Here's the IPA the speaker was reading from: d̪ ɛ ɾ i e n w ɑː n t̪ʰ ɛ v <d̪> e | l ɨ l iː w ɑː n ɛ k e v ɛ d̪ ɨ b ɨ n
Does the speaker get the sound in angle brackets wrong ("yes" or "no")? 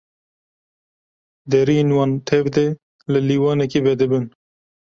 no